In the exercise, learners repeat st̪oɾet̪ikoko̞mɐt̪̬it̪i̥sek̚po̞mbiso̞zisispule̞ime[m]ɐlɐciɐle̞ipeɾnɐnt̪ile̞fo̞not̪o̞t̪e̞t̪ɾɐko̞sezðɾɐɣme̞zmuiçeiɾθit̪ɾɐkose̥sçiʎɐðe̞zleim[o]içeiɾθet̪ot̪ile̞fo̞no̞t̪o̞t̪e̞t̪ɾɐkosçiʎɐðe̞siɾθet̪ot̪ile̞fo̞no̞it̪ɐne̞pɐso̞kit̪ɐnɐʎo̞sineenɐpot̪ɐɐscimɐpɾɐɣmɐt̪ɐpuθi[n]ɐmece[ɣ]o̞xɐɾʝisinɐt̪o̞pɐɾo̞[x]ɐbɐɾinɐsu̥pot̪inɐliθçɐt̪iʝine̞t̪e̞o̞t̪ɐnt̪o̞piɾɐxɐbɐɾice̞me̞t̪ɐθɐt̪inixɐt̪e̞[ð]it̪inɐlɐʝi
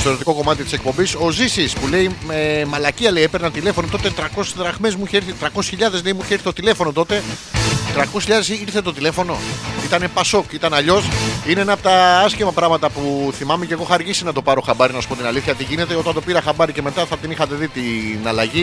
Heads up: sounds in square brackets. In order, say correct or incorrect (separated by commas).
correct, incorrect, incorrect, correct, correct, correct